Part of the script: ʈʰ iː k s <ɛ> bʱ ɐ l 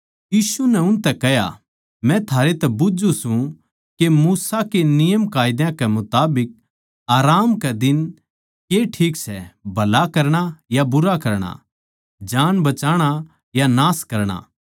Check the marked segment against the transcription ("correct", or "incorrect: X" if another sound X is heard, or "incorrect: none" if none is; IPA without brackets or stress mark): correct